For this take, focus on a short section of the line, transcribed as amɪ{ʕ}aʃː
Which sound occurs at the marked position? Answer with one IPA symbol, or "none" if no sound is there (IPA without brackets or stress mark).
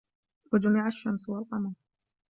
ʕ